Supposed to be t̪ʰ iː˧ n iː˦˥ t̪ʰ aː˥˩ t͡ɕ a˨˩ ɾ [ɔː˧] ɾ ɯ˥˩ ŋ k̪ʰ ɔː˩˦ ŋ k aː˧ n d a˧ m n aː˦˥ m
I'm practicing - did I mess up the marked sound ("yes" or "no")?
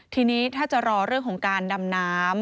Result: no